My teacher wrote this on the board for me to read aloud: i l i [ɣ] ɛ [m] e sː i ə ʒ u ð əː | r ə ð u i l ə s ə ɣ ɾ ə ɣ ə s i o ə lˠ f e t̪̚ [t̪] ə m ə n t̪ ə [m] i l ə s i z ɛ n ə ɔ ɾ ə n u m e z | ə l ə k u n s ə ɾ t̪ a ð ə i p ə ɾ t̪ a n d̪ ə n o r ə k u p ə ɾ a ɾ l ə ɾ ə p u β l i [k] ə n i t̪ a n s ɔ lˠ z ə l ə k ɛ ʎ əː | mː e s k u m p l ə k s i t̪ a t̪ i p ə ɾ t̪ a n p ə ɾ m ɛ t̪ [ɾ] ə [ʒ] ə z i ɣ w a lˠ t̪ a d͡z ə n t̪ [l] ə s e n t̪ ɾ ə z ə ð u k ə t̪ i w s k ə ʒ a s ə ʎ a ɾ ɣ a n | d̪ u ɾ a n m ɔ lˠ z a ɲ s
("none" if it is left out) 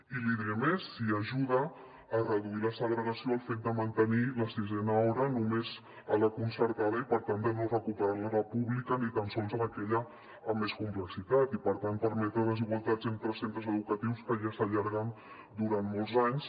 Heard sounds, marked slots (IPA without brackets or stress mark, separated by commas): ð, m, d̪, n, k, ɾ, ð, ɾ